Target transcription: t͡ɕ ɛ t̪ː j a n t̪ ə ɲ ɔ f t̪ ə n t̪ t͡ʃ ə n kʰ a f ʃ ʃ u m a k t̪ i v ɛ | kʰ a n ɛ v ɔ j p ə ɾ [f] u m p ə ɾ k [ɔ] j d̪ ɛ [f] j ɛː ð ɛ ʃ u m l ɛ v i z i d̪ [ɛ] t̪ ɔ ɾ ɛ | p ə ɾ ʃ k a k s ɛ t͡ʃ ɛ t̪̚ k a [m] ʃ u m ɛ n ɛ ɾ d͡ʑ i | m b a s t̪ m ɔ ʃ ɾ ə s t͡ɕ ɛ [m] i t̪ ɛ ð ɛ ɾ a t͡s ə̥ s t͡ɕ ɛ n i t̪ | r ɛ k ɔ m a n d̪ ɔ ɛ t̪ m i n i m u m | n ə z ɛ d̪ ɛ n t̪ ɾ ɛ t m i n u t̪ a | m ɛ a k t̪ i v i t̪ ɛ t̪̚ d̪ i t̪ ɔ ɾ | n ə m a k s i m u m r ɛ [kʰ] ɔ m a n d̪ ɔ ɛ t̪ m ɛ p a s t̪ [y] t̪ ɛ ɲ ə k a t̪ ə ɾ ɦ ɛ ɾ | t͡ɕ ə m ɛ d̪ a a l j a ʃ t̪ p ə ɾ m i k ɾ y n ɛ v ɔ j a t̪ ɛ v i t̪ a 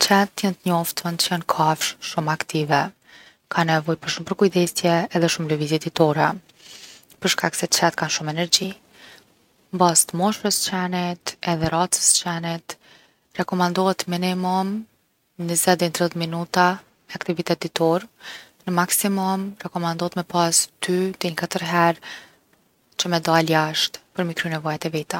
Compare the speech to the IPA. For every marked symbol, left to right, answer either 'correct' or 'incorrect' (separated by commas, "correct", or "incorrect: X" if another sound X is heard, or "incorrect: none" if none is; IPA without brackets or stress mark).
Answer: incorrect: ʃ, incorrect: u, incorrect: s, incorrect: i, incorrect: n, incorrect: n, incorrect: k, correct